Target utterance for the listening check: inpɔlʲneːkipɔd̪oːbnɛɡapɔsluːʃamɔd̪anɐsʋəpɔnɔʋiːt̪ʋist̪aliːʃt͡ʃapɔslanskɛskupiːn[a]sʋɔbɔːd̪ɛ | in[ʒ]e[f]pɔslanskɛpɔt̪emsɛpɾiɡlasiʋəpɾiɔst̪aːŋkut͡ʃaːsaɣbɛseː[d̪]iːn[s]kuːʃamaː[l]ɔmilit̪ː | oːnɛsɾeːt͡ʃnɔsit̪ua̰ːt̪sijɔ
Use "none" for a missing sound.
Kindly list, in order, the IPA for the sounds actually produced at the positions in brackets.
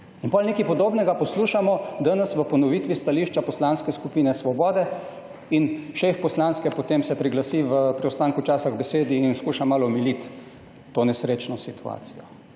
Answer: ɛ, ʃ, f, d̪, s, l

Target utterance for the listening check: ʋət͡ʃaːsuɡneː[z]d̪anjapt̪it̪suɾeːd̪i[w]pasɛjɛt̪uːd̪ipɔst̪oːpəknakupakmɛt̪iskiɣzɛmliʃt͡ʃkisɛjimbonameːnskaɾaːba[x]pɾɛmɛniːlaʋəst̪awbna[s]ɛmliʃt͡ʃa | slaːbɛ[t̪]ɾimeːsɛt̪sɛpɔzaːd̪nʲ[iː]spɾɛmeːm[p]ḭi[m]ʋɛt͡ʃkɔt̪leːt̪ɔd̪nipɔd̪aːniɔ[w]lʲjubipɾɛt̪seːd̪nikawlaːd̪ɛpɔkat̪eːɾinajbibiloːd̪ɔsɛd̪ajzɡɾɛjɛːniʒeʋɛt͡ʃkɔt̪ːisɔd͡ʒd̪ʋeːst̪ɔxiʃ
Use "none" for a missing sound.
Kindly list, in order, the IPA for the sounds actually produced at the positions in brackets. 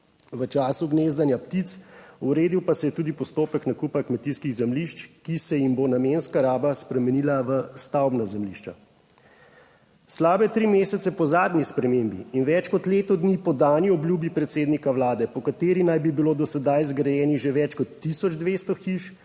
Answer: z, w, s, z, t̪, i, b, n, b

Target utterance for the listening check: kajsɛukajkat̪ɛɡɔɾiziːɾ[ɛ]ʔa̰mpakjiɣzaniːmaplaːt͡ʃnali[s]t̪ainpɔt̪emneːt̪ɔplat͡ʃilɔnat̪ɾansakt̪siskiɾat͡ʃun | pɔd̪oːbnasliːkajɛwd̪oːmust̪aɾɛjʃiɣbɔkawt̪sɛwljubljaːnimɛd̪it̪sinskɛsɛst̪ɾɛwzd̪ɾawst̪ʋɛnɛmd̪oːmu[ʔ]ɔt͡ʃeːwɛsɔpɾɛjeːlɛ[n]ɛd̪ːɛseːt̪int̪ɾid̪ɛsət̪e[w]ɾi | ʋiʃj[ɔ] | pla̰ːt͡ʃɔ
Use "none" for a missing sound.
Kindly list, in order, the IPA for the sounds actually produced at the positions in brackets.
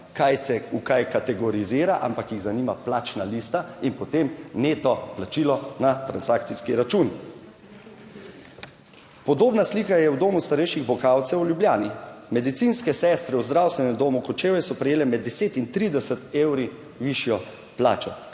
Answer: a, s, k, m, w, ɔ

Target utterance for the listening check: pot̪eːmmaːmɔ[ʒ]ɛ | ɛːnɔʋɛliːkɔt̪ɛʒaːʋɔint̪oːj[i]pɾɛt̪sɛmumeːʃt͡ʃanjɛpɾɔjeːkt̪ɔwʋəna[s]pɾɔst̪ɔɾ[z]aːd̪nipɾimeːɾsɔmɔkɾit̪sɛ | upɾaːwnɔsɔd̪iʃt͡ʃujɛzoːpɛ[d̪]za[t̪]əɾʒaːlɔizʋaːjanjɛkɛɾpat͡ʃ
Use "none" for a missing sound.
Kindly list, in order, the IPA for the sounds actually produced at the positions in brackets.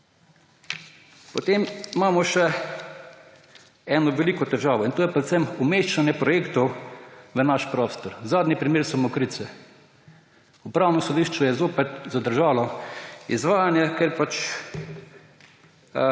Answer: ʃ, ɛ, ʃ, z, t̪, d̪

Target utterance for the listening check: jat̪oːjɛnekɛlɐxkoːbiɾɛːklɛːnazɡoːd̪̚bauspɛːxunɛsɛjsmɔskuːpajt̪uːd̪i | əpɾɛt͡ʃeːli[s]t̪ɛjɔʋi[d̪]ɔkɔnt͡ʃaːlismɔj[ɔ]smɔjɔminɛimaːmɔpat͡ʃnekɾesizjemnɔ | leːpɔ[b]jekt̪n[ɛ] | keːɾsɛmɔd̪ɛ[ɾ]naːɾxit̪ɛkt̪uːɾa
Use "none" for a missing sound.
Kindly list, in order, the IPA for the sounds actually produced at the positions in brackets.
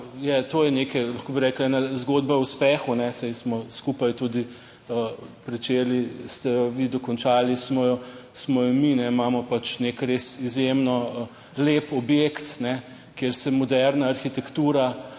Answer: s, d̪, ɔ, b, ɛ, ɾ

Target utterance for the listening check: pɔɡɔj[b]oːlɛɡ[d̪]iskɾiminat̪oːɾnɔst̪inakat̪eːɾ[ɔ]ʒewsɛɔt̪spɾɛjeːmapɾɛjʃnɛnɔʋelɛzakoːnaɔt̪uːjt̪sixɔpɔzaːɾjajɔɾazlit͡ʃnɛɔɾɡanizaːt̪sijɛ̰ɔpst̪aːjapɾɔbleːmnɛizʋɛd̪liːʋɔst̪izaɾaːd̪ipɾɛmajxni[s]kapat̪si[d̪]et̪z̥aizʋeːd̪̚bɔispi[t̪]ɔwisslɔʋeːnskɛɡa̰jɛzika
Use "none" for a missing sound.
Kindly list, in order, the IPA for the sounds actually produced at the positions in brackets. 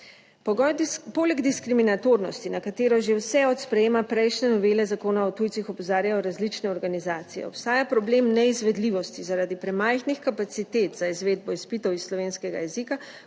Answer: p, d̪, ɔ, x, t̪, t̪

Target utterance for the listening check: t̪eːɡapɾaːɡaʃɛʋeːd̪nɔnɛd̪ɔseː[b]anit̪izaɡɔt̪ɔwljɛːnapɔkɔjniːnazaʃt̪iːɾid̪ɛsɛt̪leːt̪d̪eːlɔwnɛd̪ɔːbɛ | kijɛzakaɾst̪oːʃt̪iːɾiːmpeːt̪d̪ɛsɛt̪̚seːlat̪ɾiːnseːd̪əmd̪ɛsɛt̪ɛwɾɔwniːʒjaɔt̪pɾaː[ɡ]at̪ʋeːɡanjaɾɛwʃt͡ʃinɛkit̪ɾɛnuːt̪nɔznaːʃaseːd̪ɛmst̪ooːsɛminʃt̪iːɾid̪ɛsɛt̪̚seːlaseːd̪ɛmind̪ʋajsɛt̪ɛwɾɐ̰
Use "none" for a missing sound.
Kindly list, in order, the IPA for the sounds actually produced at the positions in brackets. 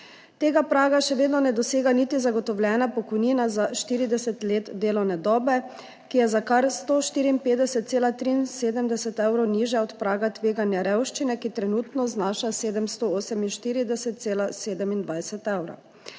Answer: ɡ, ɡ

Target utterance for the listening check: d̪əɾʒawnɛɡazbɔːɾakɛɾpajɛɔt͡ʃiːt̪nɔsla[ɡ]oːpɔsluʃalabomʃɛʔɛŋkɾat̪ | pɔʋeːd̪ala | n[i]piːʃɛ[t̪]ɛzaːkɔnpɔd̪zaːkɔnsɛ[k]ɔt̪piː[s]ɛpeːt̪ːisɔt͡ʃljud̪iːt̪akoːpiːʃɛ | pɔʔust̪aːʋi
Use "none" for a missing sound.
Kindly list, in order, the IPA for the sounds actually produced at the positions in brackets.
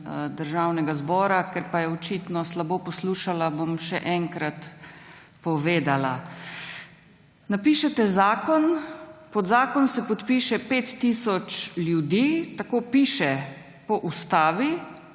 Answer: b, a, t̪, p, ʃ

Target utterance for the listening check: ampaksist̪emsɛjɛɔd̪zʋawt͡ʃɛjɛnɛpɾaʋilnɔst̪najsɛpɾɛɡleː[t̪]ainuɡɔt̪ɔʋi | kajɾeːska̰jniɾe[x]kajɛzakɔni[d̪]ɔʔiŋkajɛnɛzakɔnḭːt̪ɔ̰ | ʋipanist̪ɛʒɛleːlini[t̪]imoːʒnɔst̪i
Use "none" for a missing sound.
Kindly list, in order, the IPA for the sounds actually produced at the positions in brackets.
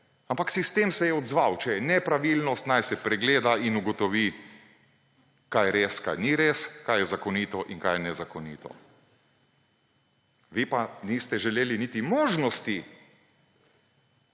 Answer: d̪, s, t̪, t̪

